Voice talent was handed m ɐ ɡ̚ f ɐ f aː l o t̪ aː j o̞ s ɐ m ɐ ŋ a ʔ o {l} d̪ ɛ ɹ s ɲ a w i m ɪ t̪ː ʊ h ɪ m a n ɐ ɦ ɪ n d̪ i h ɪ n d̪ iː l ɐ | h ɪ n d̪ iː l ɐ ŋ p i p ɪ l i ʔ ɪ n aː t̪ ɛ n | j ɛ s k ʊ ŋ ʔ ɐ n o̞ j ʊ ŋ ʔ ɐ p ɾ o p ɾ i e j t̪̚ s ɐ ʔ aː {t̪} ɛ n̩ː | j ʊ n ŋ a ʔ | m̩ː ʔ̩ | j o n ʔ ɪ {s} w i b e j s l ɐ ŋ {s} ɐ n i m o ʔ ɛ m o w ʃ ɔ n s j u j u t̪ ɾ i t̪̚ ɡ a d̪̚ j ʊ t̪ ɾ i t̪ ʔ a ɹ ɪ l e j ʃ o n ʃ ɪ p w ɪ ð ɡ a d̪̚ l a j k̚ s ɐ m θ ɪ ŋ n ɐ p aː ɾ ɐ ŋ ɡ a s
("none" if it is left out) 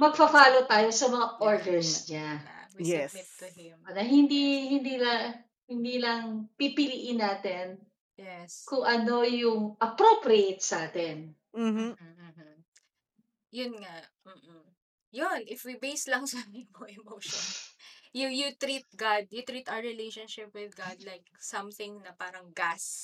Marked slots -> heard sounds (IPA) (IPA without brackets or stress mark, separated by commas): ɹ, t̪, f, s